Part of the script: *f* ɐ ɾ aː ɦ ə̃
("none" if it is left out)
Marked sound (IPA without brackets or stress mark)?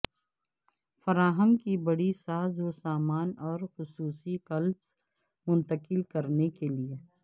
f